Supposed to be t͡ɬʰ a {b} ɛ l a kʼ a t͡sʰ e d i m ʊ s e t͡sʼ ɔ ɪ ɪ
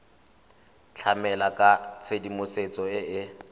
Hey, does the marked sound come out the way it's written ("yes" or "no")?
no